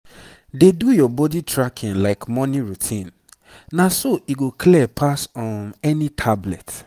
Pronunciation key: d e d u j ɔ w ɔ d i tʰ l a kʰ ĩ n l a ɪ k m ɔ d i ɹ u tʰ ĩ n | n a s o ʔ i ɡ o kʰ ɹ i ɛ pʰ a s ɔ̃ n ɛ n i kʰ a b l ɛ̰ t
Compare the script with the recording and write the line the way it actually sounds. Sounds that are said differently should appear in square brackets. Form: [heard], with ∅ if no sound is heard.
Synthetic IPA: d e d u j ɔ [b] ɔ d i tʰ [ɹ] a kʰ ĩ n l a ɪ k m ɔ [n] i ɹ u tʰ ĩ n | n a s o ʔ i ɡ o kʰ [l] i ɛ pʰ a s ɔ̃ n ɛ n i [tʰ] a b l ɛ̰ t